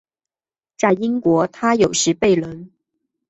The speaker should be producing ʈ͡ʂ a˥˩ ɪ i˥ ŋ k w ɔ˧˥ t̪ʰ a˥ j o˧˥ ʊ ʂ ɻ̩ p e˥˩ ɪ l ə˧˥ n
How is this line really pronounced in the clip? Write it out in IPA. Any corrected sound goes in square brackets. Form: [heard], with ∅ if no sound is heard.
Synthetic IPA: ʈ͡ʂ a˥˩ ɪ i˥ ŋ k w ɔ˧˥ t̪ʰ a˥ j [o˨˩] ʊ ʂ ɻ̩ p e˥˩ ɪ l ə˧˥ n